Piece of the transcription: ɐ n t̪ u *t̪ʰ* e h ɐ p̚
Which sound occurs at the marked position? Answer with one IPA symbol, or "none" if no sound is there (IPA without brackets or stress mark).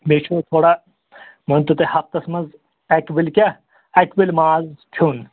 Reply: t̪